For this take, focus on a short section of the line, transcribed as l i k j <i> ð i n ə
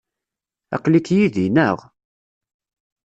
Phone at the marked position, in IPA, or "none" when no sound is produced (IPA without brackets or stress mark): i